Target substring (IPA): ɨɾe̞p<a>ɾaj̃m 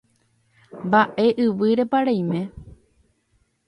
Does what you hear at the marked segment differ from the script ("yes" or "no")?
no